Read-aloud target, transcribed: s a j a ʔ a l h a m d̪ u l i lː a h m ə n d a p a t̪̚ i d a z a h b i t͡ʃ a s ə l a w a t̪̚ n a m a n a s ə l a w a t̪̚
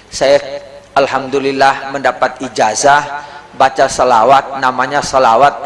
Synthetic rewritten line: s a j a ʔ a l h a m d̪ u l i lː a h m ə n d a p a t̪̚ i d͡ʒ a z a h b a t͡ʃ a s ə l a w a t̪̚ n a m a ɲ a s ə l a w a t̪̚